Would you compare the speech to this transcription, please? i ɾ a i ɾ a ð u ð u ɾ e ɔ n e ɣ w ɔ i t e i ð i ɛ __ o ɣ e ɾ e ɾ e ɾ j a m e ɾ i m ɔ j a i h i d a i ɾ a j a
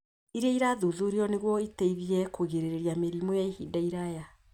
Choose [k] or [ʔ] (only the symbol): k